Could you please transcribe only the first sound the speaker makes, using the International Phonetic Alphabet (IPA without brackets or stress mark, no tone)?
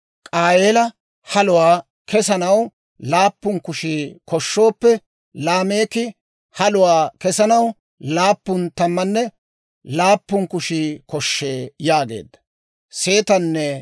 kʼ